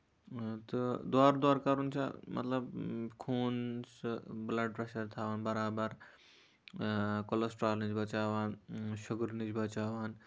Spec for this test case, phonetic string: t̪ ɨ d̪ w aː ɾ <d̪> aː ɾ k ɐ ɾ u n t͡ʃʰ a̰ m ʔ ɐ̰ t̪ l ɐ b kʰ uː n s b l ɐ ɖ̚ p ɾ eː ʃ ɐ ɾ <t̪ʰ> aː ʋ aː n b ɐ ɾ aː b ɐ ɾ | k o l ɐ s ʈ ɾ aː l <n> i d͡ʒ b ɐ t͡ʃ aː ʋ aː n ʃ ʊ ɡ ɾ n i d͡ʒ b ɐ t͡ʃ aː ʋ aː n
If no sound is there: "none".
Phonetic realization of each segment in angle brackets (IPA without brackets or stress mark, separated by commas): d̪, t̪ʰ, n